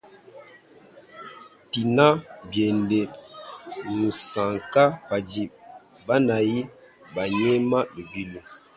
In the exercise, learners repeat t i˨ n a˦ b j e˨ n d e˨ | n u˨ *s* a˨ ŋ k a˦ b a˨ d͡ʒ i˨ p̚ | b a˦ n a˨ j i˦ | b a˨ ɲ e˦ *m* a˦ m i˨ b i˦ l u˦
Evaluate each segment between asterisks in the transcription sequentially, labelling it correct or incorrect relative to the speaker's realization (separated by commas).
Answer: correct, correct